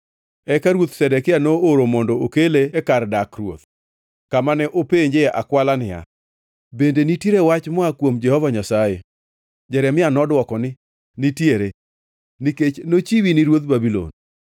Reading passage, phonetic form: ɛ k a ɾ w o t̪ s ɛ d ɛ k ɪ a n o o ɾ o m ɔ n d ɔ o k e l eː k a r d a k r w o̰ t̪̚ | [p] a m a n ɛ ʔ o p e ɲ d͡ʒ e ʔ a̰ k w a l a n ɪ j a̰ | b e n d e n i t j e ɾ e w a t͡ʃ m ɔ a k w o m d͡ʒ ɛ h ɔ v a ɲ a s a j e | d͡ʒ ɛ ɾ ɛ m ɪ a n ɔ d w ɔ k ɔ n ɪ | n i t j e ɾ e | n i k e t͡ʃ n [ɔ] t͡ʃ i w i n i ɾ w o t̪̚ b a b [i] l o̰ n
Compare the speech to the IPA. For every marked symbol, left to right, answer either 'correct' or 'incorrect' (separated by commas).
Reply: incorrect, incorrect, correct